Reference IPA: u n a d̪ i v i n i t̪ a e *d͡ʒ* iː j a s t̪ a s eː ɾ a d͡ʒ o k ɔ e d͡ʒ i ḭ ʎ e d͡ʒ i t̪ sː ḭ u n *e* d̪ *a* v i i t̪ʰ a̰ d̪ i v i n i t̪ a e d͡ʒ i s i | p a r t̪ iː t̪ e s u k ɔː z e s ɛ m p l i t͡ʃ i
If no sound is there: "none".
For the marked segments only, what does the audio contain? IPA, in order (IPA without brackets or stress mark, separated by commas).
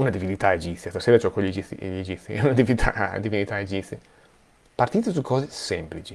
d͡ʒ, a, i